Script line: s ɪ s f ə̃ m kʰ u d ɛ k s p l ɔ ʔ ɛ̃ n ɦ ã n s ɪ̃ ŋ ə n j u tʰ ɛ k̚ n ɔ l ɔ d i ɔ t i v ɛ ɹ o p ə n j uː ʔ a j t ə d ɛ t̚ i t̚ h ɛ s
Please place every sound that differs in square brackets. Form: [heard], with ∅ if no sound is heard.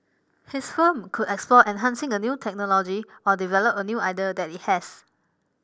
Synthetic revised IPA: [h] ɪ s f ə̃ m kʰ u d ɛ k s p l ɔ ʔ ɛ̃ n ɦ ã n s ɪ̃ ŋ ə n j u tʰ ɛ k̚ n ɔ l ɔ [d͡ʒ] i ɔ [d] i v ɛ [l] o p ə n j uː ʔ a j [d] ə d ɛ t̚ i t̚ h ɛ s